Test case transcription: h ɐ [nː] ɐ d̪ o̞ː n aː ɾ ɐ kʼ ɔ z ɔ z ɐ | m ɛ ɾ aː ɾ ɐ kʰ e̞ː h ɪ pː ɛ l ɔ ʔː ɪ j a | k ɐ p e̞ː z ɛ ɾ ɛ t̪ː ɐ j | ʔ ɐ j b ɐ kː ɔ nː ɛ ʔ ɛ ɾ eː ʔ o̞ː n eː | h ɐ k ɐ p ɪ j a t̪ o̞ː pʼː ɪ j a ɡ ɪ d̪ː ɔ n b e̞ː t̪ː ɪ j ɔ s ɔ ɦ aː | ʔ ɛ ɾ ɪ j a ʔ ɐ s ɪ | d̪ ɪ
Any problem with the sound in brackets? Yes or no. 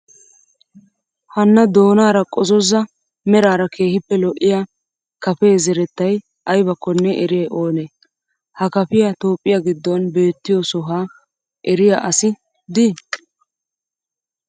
no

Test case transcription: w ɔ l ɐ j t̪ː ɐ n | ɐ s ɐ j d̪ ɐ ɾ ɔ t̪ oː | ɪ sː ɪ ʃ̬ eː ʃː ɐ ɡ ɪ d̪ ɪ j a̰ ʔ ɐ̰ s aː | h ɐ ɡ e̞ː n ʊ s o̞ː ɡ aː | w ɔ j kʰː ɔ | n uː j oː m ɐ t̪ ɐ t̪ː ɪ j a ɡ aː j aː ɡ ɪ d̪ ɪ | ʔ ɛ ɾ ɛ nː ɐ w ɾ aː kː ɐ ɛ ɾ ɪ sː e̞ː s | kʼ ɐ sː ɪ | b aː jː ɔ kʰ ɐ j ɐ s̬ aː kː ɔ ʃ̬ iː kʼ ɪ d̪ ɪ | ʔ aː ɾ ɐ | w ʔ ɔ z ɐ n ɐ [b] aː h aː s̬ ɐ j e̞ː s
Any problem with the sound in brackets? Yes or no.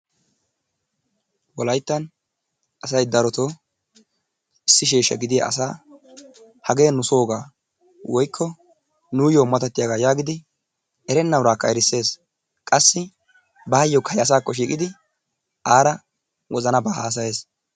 no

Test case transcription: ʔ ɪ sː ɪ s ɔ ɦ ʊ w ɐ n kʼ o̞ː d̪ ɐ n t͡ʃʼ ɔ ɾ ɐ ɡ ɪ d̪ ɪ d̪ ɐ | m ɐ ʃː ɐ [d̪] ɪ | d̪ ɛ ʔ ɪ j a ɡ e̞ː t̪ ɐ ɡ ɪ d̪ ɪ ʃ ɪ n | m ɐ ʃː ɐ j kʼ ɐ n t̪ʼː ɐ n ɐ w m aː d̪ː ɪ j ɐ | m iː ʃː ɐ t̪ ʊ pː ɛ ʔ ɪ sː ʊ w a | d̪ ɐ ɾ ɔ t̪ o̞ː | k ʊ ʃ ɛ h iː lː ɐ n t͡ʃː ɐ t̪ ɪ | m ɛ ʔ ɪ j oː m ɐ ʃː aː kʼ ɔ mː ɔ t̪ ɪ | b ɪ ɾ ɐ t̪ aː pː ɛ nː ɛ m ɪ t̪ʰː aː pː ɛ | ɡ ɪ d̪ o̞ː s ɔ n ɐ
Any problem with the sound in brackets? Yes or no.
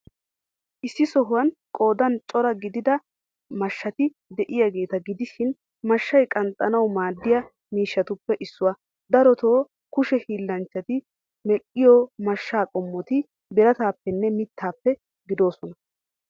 yes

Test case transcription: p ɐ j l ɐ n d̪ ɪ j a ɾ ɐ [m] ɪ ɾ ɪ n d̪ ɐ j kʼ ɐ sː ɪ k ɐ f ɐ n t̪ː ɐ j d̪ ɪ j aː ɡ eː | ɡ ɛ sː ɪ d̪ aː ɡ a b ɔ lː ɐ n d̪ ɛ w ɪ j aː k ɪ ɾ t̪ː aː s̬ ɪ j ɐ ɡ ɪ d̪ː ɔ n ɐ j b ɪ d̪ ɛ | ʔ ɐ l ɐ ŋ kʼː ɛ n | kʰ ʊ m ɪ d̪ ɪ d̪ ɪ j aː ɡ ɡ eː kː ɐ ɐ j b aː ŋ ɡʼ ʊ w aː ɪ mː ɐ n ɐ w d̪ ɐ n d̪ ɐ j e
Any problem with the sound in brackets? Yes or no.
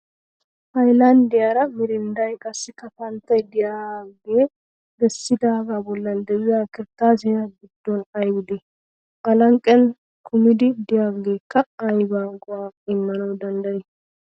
no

